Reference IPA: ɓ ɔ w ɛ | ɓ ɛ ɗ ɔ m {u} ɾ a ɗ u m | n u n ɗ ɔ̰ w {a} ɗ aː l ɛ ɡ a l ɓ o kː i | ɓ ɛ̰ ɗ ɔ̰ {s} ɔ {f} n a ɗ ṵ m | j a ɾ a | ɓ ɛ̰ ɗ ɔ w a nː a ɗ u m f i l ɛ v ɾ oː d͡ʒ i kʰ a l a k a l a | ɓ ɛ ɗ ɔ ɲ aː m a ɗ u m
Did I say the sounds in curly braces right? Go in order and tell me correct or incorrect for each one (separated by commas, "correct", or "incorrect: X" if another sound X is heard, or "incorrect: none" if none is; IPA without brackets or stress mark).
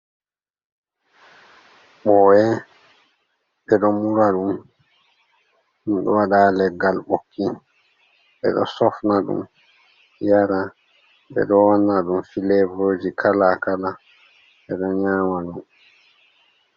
correct, correct, correct, correct